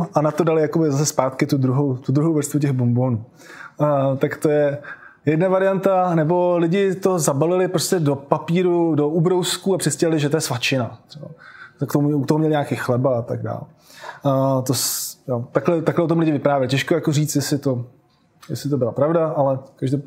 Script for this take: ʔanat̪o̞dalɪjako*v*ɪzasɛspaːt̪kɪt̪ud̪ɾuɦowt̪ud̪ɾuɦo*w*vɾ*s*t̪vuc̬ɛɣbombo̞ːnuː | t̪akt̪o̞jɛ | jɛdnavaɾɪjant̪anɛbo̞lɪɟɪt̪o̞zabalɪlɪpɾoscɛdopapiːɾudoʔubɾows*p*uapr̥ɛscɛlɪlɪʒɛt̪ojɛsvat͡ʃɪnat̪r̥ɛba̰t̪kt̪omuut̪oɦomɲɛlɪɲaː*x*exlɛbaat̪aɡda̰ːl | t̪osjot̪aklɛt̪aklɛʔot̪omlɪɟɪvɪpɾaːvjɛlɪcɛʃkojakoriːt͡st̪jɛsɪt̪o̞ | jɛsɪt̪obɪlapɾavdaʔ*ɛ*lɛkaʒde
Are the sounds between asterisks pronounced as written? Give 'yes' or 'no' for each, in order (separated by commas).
no, yes, yes, no, no, no